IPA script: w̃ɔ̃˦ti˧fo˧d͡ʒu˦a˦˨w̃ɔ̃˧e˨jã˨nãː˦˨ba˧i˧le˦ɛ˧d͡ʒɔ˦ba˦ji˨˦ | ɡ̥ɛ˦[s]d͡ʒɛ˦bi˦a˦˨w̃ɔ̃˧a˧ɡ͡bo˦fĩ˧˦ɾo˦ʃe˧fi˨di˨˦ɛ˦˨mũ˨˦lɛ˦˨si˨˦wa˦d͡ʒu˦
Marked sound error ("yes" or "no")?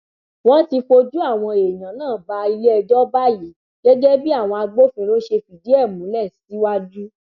yes